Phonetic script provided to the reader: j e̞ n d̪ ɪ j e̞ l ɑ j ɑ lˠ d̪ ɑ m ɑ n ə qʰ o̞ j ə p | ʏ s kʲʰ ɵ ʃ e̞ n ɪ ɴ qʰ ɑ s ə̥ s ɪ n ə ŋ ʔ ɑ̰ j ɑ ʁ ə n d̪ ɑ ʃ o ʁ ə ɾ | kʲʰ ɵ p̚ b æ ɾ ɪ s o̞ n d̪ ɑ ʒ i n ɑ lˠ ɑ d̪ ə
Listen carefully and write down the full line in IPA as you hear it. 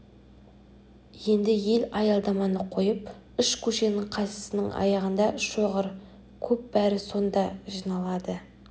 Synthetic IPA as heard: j e̞ n d̪ ɪ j e̞ l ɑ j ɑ lˠ d̪ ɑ m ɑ n ə qʰ o̞ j ə p | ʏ ʃ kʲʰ ɵ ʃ e̞ n ɪ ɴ qʰ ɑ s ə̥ s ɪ n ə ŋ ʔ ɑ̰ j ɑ ʁ ə n d̪ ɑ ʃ o ʁ ə ɾ | kʲʰ ɵ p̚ b æ ɾ ɪ s o̞ n d̪ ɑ ʒ i n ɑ lˠ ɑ d̪ ə